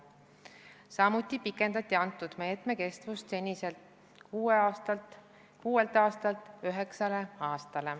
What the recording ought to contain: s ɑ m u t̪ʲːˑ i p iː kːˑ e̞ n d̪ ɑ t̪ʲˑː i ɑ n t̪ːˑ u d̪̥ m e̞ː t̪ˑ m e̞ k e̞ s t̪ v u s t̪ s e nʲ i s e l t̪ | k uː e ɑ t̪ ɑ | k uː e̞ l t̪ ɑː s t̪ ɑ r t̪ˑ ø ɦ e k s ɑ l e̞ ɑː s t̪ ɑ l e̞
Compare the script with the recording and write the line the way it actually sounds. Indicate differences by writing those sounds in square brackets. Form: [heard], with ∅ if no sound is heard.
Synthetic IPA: s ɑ m u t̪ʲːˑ i p [i] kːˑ e̞ n d̪ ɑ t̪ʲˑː i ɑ n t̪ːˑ u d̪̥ m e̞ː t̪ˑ m e̞ k e̞ s t̪ v u s t̪ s e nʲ i s e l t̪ | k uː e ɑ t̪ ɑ | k uː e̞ l t̪ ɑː s t̪ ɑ [l] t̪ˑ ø ɦ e k s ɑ l e̞ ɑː s t̪ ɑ l e̞